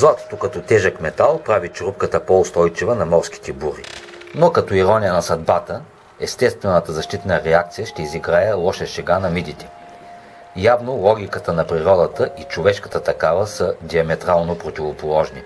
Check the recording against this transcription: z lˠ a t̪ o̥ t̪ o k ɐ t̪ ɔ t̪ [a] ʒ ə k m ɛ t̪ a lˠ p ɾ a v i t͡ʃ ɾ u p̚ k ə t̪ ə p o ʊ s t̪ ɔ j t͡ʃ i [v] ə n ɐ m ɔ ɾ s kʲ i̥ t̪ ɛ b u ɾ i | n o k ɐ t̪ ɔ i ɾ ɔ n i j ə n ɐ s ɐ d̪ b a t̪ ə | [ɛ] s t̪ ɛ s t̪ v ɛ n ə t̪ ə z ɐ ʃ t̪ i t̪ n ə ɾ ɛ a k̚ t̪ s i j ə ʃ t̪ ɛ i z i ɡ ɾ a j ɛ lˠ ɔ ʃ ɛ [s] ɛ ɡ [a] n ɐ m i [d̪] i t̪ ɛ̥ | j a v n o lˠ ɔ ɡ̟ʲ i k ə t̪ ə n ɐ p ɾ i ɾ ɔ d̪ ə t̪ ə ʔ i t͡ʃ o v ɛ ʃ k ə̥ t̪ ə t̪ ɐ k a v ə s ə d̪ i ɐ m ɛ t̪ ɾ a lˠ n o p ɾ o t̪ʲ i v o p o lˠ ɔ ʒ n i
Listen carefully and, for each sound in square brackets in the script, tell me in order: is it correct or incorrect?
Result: incorrect, correct, correct, incorrect, correct, correct

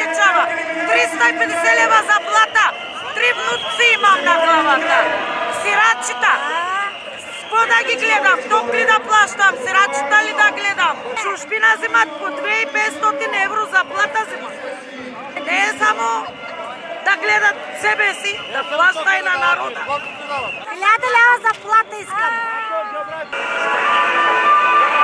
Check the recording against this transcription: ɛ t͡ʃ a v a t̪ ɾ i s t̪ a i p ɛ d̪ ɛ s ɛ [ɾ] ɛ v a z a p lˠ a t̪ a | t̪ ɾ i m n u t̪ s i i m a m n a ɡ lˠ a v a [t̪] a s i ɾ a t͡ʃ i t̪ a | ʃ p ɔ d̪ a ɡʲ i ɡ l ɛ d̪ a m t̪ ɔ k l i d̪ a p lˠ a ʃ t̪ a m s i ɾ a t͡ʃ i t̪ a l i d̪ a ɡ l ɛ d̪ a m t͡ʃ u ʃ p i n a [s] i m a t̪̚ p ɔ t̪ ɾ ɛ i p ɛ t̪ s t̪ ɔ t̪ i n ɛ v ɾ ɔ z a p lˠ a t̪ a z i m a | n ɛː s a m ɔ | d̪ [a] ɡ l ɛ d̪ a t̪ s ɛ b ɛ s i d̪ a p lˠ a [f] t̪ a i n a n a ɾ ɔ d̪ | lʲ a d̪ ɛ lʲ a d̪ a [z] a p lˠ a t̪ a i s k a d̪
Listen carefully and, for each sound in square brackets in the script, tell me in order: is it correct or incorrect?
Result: incorrect, correct, incorrect, correct, incorrect, correct

